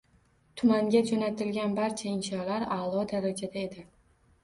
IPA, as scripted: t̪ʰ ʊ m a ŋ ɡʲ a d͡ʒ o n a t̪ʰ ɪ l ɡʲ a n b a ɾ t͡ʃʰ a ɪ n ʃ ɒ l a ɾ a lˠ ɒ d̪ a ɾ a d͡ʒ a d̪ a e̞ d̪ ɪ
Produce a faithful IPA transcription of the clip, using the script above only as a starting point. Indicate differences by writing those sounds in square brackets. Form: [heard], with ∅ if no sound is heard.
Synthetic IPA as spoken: t̪ʰ ʊ m a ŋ ɡʲ a d͡ʒ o n a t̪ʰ ɪ l ɡʲ a n b a ɾ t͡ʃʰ a ɪ n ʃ ɒ l a ɾ a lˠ ɒ d̪ a ɾ a d͡ʒ a d̪ a e̞ d̪ ɪ